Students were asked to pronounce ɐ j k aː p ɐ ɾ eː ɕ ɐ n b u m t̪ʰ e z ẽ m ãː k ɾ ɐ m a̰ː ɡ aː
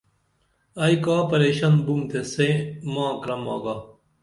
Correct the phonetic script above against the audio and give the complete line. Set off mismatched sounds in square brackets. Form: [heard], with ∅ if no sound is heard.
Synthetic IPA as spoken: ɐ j k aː p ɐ ɾ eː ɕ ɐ n b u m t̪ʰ e [s] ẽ m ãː k ɾ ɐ m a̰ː ɡ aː

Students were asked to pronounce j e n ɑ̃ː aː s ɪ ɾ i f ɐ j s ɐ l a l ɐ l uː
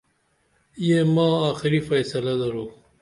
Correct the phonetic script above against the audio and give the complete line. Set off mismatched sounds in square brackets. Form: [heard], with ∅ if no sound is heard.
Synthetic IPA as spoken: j e [m] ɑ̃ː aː [x] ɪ ɾ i f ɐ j s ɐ l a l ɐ [ɾ] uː

